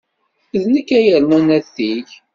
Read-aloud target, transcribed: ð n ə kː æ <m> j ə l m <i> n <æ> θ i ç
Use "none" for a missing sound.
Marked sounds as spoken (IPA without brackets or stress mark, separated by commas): none, æ, æ